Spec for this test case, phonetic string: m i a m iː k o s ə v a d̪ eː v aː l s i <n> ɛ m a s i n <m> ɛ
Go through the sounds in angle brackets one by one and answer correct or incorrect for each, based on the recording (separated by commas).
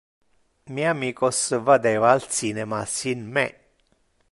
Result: correct, correct